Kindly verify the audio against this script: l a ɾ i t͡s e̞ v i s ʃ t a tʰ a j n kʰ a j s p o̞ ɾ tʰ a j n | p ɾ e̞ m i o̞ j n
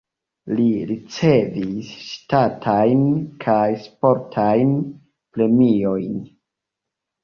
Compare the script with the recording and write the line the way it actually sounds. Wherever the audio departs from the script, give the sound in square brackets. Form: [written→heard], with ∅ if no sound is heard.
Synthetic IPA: l [a→i] ɾ i t͡s e̞ v i s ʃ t a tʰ a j n kʰ a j s p o̞ ɾ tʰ a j n | p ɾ e̞ m i o̞ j n